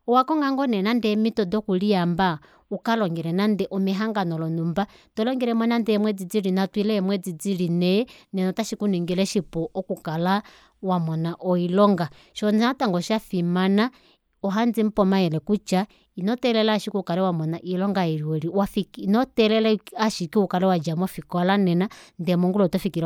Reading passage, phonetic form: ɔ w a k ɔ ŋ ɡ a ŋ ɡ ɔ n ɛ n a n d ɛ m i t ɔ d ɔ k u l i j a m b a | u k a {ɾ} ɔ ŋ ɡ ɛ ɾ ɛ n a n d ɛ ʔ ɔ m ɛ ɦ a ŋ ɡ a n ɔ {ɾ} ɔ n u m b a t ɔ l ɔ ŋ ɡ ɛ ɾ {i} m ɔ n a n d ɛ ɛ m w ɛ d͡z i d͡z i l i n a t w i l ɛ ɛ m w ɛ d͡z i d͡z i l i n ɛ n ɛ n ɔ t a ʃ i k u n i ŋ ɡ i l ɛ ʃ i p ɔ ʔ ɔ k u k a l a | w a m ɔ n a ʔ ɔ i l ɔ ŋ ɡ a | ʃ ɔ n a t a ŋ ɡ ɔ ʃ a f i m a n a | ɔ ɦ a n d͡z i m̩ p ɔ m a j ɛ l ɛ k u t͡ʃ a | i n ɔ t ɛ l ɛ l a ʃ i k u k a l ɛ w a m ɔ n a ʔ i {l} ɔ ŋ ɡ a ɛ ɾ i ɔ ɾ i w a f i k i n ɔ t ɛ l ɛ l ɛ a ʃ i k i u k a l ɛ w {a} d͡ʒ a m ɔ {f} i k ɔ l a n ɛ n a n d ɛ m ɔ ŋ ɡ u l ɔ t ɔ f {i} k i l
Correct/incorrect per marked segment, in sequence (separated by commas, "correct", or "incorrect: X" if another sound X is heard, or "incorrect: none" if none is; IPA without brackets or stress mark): incorrect: l, incorrect: l, incorrect: ɛ, correct, correct, correct, correct